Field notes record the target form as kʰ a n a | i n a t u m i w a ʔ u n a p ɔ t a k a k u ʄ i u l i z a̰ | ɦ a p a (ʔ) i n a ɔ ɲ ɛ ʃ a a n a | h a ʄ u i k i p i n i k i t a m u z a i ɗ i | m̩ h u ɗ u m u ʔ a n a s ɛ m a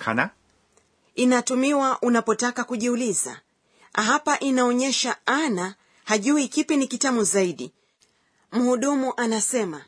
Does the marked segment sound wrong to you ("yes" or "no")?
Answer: no